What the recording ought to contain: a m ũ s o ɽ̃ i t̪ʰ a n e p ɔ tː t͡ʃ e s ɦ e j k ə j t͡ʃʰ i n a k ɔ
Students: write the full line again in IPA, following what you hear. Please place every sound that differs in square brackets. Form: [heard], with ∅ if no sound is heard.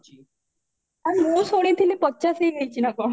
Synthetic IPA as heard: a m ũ s o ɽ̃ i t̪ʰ [i] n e p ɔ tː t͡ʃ [a] s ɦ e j [ɡ] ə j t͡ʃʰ i n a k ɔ